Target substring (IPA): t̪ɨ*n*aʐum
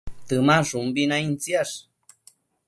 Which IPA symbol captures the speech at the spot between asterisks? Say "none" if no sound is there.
m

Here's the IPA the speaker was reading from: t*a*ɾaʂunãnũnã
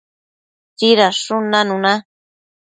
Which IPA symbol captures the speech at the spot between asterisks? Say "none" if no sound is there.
i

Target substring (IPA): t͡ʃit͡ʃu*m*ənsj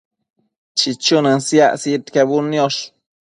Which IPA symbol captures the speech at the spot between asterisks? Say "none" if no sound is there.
n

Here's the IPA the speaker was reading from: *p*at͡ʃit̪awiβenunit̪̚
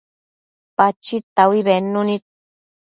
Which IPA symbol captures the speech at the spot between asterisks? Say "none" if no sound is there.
p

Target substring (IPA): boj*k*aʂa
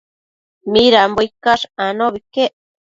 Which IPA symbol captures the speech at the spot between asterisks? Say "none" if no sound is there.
k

